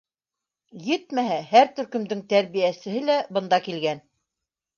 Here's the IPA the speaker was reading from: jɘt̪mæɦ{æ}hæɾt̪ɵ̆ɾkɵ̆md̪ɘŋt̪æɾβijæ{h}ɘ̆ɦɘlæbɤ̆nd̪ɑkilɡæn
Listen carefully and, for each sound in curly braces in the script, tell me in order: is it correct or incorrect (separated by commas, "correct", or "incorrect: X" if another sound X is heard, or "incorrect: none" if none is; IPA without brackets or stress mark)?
correct, incorrect: s